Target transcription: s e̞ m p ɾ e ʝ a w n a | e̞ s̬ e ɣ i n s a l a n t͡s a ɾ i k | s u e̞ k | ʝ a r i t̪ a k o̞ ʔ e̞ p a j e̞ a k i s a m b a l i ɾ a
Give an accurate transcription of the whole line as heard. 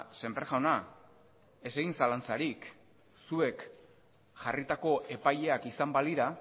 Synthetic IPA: s e̞ m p ɾ e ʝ a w n a | e̞ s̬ e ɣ i n s a l a n t͡s a ɾ i k | s u e̞ k | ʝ a r i t̪ a k o̞ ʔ e̞ p a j e̞ a k i s a m b a l i ɾ a